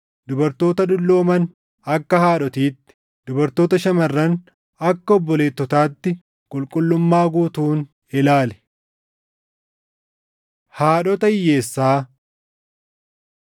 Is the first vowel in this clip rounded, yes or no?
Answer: yes